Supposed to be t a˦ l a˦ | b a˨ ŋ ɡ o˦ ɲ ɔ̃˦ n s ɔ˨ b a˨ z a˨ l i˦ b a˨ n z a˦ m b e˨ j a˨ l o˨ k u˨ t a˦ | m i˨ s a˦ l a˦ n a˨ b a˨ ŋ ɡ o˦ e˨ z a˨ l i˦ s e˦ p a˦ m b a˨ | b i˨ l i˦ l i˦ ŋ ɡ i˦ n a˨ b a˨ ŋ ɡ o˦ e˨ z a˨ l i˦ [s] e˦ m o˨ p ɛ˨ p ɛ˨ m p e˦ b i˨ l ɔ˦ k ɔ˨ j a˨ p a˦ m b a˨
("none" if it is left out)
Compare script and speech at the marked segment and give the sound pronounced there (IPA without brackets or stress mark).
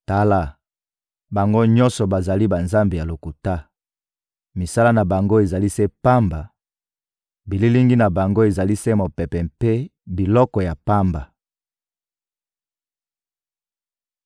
s